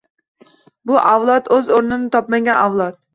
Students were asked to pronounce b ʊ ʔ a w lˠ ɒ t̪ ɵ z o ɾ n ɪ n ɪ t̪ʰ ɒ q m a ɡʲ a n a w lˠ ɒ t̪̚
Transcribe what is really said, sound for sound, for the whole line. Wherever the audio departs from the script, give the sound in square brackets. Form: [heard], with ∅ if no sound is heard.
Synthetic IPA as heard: b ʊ ʔ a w lˠ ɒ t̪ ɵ z o ɾ n ɪ n ɪ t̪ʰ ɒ [p] m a ɡʲ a n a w lˠ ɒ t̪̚

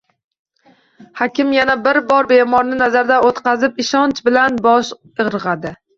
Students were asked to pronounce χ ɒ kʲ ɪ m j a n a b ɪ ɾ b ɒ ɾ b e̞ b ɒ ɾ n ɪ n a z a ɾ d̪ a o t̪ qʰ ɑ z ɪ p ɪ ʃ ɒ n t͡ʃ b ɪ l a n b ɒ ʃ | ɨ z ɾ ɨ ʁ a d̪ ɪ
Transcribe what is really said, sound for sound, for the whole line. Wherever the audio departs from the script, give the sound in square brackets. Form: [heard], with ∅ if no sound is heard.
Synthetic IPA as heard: [h] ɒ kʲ ɪ m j a n a b ɪ ɾ b ɒ ɾ b e̞ [m] ɒ ɾ n ɪ n a z a ɾ d̪ a o t̪ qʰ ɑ z ɪ p ɪ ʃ ɒ n t͡ʃ b ɪ l a n b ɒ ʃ | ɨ [ʁ] ɾ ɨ ʁ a d̪ ɪ

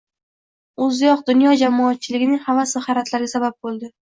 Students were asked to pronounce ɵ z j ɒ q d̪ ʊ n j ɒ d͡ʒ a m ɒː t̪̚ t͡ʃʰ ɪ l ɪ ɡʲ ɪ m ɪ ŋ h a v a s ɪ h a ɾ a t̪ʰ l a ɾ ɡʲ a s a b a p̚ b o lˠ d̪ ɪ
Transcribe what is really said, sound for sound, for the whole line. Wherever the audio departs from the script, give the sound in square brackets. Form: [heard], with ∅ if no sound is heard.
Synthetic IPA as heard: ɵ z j ɒ q d̪ ʊ n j ɒ d͡ʒ a m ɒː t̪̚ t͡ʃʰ ɪ l ɪ ɡʲ ɪ [n] ɪ ŋ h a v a s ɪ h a ɾ a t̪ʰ l a ɾ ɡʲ a s a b a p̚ b o lˠ d̪ ɪ

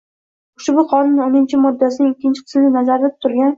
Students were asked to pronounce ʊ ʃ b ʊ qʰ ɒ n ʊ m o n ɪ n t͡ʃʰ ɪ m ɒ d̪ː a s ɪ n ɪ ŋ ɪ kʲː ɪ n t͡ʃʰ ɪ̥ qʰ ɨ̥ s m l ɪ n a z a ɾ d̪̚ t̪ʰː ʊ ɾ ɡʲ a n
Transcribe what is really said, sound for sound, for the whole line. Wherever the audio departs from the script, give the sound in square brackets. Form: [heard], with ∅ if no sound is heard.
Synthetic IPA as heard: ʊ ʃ b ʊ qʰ ɒ n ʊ [n] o n ɪ n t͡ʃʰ ɪ m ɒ d̪ː a s ɪ n ɪ ŋ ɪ kʲː ɪ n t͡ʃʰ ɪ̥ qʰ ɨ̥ s m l ɪ n a z a ɾ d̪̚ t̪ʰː ʊ ɾ ɡʲ a n

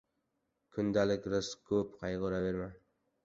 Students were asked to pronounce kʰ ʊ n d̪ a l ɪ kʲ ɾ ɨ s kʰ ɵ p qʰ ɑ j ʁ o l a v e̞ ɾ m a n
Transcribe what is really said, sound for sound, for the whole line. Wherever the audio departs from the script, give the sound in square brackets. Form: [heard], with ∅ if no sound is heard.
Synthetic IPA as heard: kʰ ʊ n d̪ a l ɪ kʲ ɾ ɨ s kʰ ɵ p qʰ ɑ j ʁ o [ɾ] a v e̞ ɾ m a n

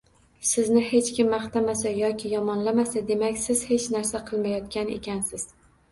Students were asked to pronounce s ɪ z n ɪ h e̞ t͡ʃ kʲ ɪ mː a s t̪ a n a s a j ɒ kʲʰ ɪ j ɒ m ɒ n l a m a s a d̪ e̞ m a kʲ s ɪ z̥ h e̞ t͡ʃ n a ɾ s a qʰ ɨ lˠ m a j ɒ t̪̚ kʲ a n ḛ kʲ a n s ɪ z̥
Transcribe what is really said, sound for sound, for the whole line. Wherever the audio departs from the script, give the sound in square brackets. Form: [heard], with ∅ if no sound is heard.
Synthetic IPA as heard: s ɪ z n ɪ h e̞ t͡ʃ kʲ ɪ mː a [χ] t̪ a [m] a s a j ɒ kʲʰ ɪ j ɒ m ɒ n l a m a s a d̪ e̞ m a kʲ s ɪ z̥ h e̞ t͡ʃ n a ɾ s a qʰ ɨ lˠ m a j ɒ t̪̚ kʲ a n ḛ kʲ a n s ɪ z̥

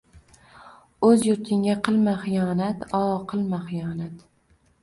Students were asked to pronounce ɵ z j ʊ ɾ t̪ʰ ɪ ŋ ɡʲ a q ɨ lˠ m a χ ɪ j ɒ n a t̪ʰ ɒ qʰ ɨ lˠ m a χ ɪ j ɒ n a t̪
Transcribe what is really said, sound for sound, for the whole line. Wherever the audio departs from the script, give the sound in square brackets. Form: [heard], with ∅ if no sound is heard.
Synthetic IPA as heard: ɵ z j ʊ ɾ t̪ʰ ɪ ŋ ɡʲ a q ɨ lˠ m a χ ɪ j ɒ n a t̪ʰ ɒ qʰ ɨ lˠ m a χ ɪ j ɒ n a t̪

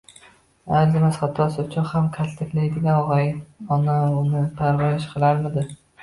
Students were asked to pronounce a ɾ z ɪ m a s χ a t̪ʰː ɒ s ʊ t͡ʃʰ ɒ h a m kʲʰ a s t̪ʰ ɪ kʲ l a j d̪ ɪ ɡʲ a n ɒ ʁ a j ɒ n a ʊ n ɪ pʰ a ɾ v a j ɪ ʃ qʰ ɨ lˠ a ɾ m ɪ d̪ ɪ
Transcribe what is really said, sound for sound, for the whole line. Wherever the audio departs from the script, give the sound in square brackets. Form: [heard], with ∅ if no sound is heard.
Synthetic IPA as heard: a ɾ z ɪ m a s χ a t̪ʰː ɒ s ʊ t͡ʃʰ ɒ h a m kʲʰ a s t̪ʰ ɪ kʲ l a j d̪ ɪ ɡʲ a n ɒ ʁ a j ɒ n a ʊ n ɪ pʰ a ɾ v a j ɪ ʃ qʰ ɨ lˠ a ɾ m ɪ d̪ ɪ

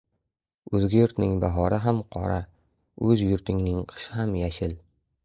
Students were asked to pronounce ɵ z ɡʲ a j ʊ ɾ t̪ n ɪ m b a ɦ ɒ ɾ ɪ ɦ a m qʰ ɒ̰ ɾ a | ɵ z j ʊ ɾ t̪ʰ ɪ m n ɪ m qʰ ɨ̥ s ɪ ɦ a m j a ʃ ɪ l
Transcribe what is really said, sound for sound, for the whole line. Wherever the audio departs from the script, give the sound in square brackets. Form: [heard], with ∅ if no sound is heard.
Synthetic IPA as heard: ɵ z ɡʲ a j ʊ ɾ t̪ n ɪ [ŋ] b a ɦ ɒ ɾ ɪ ɦ a m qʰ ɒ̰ ɾ a | ɵ z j ʊ ɾ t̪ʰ ɪ [ŋ] n ɪ [ŋ] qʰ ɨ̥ [ʃ] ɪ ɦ a m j a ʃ ɪ l

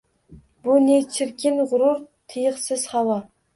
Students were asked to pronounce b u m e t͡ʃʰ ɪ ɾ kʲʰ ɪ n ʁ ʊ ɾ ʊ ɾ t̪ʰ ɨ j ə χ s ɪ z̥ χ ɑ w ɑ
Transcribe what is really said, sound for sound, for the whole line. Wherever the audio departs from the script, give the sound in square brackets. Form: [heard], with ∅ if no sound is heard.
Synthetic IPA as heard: b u [n] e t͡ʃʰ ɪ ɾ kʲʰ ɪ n ʁ ʊ ɾ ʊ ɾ t̪ʰ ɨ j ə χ s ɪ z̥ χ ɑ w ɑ

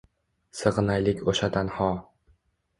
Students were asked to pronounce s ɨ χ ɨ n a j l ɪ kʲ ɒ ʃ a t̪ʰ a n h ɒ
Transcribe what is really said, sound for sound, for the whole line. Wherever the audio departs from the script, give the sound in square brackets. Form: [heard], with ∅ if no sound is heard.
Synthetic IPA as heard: s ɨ [ʁ] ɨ n a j l ɪ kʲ [o] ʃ a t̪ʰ a n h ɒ

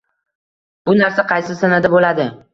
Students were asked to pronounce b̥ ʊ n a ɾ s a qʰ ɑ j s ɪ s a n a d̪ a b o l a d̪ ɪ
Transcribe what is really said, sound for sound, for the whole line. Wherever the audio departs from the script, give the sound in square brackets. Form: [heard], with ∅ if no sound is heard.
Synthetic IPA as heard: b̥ ʊ n a ɾ s a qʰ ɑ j s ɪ s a n a d̪ a b o l a d̪ ɪ

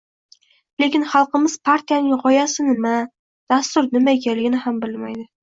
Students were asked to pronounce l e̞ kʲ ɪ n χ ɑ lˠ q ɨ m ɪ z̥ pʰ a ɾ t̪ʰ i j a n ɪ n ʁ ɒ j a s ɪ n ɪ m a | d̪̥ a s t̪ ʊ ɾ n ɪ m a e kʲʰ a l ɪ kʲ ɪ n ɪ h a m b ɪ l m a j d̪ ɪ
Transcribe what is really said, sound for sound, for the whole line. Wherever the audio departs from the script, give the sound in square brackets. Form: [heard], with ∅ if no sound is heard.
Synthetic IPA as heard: l e̞ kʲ ɪ n χ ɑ lˠ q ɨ m ɪ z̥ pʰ a ɾ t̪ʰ i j a n ɪ [ŋ] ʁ ɒ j a s ɪ n ɪ m a | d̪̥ a s t̪ ʊ ɾ n ɪ m a e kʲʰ a l ɪ [ɡʲ] ɪ n ɪ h a m b ɪ l m a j d̪ ɪ

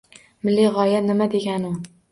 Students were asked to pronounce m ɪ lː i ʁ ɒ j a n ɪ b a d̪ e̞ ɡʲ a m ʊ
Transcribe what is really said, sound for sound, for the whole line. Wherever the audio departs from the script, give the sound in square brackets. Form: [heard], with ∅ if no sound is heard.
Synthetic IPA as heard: m ɪ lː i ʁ ɒ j a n ɪ [m] a d̪ e̞ ɡʲ a [n] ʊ

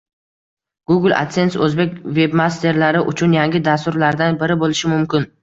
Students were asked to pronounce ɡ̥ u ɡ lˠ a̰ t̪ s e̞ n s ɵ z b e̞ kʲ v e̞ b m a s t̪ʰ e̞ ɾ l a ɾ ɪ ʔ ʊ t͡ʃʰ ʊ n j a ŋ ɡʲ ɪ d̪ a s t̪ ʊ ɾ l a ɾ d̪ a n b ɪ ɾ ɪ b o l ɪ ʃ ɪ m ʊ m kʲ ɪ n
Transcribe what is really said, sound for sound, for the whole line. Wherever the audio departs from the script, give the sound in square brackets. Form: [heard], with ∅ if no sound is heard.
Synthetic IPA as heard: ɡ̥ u ɡ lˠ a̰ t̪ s e̞ n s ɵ z b e̞ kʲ v e̞ b m a s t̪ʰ e̞ ɾ l a ɾ ɪ ʔ ʊ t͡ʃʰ ʊ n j a ŋ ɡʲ ɪ d̪ a s t̪ ʊ ɾ l a ɾ d̪ a n b ɪ ɾ ɪ b o l ɪ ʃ ɪ m ʊ m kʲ ɪ n

